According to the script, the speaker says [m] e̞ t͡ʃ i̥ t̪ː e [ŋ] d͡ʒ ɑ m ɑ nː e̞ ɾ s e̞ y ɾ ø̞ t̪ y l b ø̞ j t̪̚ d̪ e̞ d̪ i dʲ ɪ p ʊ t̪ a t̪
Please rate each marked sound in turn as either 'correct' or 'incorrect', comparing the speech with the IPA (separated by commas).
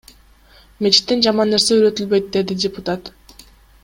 correct, incorrect